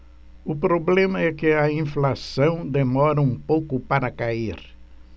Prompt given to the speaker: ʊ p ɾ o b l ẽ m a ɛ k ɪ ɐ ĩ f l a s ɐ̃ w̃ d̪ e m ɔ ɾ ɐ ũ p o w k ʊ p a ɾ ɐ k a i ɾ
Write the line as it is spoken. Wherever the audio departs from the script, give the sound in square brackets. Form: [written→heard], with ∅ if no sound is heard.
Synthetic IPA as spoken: ʊ p ɾ o b l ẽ m [a→ɐ] ɛ k ɪ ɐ ĩ f l a s ɐ̃ w̃ d̪ e m ɔ ɾ ɐ ũ p o w k ʊ p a ɾ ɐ k a i ɾ